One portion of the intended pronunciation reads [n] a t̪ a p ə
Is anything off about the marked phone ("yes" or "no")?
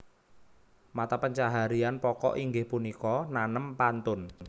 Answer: yes